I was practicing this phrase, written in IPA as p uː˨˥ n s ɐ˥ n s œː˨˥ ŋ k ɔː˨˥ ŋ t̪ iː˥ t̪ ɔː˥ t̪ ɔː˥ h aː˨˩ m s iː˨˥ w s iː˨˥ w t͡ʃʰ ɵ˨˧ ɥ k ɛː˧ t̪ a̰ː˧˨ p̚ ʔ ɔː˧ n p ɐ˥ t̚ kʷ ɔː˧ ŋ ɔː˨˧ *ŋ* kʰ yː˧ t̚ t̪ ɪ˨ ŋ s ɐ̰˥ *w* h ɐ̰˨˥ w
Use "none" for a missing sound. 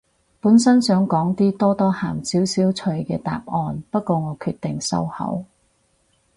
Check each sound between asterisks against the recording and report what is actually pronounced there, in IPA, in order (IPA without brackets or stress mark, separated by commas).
none, w